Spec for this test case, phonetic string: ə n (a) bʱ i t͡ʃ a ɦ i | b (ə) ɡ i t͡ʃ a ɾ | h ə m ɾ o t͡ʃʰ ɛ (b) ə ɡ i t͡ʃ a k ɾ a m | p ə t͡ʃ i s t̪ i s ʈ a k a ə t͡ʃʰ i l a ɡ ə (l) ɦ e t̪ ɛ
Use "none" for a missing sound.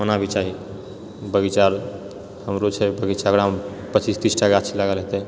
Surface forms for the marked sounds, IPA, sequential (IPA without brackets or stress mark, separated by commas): a, ə, b, l